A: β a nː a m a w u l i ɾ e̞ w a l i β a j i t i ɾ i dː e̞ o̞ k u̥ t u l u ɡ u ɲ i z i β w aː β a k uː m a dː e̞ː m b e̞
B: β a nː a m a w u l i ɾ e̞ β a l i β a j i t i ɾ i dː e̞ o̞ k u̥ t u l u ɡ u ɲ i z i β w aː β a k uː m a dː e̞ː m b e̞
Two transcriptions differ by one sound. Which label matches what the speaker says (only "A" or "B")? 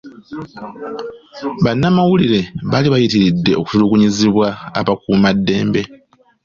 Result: B